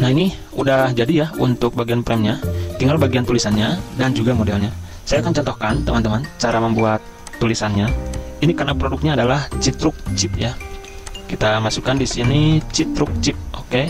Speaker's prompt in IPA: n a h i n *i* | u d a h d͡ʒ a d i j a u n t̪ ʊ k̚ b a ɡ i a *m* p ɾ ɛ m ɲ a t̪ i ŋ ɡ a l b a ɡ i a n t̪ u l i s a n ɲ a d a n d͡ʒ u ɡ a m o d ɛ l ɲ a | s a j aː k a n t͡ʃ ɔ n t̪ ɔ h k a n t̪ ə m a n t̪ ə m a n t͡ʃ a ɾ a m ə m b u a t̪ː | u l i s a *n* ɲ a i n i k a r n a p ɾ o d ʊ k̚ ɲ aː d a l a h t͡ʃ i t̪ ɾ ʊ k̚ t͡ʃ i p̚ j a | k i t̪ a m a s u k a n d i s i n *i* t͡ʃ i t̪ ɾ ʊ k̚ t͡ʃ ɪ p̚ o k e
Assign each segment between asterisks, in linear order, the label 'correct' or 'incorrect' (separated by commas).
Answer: correct, incorrect, correct, correct